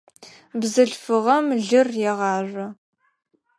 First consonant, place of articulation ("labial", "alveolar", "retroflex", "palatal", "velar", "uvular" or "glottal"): labial